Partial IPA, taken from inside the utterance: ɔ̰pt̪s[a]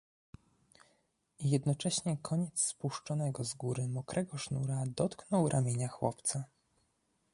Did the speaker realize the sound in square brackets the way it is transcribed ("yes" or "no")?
yes